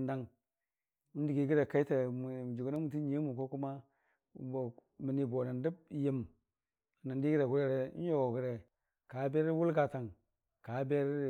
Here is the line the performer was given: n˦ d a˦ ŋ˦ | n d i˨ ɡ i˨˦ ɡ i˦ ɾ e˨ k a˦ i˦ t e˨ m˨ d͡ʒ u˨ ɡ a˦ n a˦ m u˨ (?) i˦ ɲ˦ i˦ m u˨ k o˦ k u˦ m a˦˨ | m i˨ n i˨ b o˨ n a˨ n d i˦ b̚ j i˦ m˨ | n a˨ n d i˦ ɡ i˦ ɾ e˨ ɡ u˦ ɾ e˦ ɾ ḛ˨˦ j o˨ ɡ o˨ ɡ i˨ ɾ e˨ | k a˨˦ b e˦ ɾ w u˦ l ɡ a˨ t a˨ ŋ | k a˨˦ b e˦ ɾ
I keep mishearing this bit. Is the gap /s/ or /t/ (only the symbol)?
t